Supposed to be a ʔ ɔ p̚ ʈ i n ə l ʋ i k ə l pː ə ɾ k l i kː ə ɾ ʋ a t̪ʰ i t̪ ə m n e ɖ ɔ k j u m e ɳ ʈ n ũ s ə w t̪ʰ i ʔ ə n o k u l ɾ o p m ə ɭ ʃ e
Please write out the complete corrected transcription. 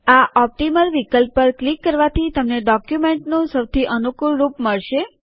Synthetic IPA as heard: a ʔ ɔ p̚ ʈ i m ə l ʋ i k ə l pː ə ɾ k l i kː ə ɾ ʋ a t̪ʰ i t̪ ə m n e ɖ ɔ k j u m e ɳ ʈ n ũ s ə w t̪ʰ i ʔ ə n u k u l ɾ u p m ə ɭ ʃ e